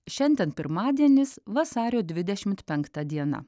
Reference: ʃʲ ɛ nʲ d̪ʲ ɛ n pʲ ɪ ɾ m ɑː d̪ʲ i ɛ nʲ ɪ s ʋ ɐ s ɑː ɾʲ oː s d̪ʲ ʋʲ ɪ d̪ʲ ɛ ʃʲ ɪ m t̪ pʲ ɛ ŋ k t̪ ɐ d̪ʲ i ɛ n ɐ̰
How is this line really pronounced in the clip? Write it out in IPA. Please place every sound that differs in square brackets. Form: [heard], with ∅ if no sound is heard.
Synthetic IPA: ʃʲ ɛ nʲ d̪ʲ ɛ n pʲ ɪ ɾ m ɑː d̪ʲ i ɛ nʲ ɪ s ʋ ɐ s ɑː ɾʲ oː [∅] d̪ʲ ʋʲ ɪ d̪ʲ ɛ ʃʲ ɪ m t̪ pʲ ɛ ŋ k t̪ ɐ d̪ʲ i ɛ n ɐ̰